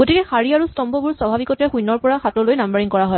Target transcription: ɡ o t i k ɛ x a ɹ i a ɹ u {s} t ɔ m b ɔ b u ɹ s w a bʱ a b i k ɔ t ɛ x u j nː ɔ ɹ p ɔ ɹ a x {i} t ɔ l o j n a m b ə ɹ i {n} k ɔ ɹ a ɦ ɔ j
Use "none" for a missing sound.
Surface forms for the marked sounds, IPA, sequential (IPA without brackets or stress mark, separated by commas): s, a, ŋ